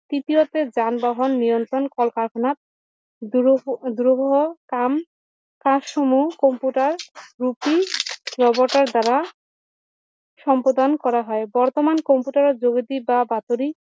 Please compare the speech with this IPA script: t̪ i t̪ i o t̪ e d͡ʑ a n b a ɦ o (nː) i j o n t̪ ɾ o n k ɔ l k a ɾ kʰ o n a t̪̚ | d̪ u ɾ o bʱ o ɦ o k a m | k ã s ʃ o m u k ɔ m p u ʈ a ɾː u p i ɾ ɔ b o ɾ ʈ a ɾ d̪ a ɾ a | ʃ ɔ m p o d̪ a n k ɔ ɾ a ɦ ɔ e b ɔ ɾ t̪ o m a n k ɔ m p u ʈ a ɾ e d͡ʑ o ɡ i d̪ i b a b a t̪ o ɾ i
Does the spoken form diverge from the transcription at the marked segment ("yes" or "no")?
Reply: no